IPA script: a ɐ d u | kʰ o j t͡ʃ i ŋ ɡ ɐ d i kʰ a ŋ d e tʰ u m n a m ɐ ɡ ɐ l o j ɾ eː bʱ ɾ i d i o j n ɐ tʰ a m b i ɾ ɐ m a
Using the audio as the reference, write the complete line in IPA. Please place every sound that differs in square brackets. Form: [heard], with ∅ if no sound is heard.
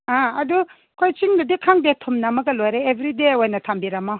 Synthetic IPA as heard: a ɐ d u | kʰ o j t͡ʃ i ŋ [d] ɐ d i kʰ a ŋ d e tʰ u m n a m ɐ ɡ ɐ l o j ɾ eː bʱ ɾ i d [e] o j n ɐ tʰ a m b i ɾ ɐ m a